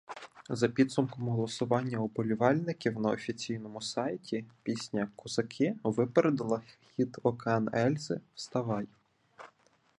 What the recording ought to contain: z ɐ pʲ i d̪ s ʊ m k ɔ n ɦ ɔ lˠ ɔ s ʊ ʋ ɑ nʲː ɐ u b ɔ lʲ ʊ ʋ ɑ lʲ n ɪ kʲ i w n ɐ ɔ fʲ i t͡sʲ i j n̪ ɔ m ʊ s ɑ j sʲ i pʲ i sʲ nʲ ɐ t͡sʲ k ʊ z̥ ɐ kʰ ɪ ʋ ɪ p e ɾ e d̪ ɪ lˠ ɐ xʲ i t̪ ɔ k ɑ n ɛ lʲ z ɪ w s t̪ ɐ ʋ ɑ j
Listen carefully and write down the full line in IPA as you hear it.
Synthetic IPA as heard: z ɐ pʲ i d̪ s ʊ m k ɔ m ɦ ɔ lˠ ɔ s ʊ ʋ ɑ nʲː ɐ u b ɔ lʲ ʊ ʋ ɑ lʲ n ɪ kʲ i w n ɐ ɔ fʲ i t͡sʲ i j n̪ ɔ m ʊ s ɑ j tʲ i pʲ i sʲ nʲ ɐ k ʊ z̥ ɐ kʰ ɪ ʋ ɪ p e ɾ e d̪ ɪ lˠ ɐ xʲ i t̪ ɔ k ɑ n ɛ lʲ z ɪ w s t̪ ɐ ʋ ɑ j